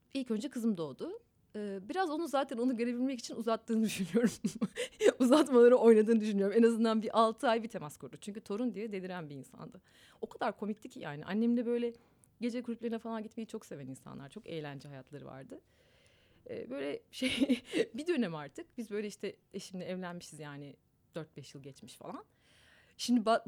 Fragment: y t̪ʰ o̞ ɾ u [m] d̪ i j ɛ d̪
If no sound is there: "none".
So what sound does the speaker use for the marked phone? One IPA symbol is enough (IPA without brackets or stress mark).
n